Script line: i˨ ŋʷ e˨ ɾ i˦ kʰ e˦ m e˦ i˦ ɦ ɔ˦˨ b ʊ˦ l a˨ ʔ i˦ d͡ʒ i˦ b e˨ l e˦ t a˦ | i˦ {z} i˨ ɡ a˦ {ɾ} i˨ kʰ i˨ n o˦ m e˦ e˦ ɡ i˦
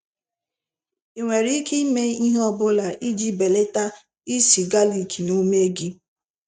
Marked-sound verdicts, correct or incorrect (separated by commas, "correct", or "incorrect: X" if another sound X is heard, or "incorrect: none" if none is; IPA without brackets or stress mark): incorrect: s, incorrect: l